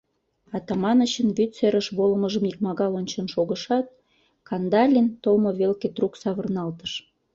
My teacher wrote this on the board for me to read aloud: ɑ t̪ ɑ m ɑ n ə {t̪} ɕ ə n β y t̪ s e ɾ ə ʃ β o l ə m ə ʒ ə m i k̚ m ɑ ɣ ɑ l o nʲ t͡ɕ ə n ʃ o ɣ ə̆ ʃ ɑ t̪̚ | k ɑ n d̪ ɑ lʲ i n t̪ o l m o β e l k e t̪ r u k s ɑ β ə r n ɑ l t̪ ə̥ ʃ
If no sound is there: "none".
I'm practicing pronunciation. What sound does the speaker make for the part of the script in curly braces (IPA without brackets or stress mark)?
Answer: none